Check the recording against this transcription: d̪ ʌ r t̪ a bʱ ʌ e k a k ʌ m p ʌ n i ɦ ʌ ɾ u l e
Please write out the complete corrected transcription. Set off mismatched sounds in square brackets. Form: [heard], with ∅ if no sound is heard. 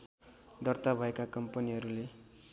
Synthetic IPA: d̪ ʌ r t̪ a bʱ ʌ e k a k ʌ m p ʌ n i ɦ ʌ ɾ u l e